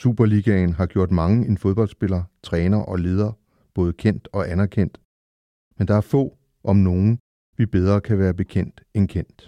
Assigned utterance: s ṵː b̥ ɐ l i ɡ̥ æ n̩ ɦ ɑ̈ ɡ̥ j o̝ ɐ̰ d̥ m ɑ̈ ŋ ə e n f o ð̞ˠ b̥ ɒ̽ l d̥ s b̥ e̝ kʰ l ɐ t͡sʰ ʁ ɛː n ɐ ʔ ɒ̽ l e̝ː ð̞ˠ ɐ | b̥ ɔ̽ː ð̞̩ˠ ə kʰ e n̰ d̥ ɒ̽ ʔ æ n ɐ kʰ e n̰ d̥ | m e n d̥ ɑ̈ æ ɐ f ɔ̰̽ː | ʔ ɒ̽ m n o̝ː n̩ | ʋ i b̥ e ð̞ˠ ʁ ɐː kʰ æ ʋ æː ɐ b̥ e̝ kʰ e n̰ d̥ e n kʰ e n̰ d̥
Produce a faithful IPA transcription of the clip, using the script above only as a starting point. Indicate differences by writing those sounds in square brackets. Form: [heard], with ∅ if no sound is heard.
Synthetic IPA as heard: s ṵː b̥ ɐ l i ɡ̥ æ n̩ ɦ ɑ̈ ɡ̥ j o̝ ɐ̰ d̥ m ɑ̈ ŋ ə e n f o ð̞ˠ b̥ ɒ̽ l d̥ s b̥ e̝ [∅] l ɐ t͡sʰ ʁ ɛː n ɐ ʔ ɒ̽ l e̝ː ð̞ˠ ɐ | b̥ ɔ̽ː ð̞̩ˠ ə kʰ e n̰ d̥ ɒ̽ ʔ æ n ɐ kʰ e n̰ d̥ | m e n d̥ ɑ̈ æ ɐ f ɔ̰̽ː | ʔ ɒ̽ m n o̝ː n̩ | ʋ i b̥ e ð̞ˠ ʁ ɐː kʰ æ ʋ æː ɐ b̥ e̝ kʰ e n̰ d̥ e n kʰ e n̰ d̥